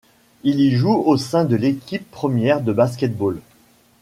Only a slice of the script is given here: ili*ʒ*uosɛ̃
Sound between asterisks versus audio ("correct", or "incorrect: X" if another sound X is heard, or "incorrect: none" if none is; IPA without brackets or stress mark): correct